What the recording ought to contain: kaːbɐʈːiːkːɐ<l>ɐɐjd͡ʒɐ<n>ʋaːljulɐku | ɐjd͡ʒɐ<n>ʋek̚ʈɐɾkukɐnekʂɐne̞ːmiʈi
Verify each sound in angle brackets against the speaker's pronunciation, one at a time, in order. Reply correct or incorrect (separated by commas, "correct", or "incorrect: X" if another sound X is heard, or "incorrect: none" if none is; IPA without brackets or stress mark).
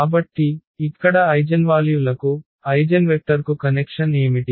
incorrect: ɽ, correct, correct